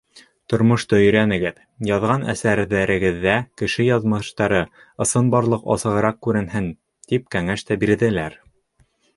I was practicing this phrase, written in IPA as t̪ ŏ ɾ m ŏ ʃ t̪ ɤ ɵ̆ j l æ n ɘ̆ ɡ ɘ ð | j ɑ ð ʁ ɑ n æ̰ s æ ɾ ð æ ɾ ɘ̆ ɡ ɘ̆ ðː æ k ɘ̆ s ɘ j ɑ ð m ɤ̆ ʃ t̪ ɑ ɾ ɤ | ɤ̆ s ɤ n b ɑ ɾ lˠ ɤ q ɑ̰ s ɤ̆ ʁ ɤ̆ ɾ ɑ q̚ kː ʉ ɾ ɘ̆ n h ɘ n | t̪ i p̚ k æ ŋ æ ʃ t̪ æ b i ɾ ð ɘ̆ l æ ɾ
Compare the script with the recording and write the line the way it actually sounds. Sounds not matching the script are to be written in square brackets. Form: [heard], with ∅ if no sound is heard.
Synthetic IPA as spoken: t̪ ŏ ɾ m ŏ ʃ t̪ ɤ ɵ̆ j [ɾ] æ n ɘ̆ ɡ ɘ ð | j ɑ ð ʁ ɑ n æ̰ s æ ɾ ð æ ɾ ɘ̆ ɡ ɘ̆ ðː æ k ɘ̆ [ʃ] ɘ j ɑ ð m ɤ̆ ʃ t̪ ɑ ɾ ɤ | ɤ̆ s ɤ n b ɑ ɾ lˠ ɤ q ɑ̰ s ɤ̆ ʁ ɤ̆ ɾ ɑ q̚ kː ʉ ɾ ɘ̆ n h ɘ n | t̪ i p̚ k æ ŋ æ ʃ t̪ æ b i ɾ ð ɘ̆ l æ ɾ